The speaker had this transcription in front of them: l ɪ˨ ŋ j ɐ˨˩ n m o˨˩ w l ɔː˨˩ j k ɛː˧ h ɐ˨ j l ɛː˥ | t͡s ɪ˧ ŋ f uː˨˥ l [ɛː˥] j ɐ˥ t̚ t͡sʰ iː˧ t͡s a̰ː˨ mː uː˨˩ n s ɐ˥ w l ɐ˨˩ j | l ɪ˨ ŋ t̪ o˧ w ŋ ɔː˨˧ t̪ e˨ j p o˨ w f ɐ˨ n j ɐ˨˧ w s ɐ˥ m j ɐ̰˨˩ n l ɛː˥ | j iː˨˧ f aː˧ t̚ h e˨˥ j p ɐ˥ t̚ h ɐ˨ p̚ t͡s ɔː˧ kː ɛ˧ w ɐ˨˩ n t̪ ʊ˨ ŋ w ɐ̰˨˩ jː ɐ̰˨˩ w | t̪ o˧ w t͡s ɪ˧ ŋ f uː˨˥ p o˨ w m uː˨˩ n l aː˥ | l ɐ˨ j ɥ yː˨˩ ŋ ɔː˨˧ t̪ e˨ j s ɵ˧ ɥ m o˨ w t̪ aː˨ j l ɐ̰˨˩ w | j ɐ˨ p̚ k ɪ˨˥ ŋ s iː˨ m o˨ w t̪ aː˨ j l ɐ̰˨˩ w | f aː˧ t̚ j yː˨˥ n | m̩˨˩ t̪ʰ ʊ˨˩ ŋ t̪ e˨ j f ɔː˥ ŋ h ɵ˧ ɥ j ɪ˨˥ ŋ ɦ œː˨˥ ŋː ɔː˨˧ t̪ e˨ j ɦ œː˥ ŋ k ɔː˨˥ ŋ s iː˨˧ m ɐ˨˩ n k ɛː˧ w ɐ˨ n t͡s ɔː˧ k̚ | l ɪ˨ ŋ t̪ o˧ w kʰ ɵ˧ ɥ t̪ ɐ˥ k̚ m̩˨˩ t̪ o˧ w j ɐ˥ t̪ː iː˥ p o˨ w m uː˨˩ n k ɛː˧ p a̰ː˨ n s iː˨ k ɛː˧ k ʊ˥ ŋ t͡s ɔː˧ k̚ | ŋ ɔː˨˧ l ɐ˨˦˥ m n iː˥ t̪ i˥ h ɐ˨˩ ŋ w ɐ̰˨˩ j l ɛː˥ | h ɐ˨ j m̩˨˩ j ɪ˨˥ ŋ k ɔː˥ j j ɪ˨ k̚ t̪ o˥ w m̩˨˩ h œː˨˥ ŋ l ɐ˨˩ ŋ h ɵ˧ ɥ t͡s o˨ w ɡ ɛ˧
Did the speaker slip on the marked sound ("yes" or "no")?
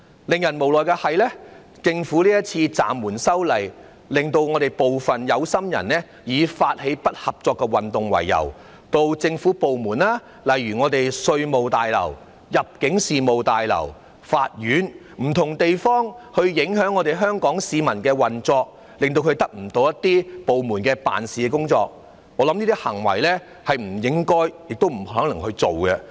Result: yes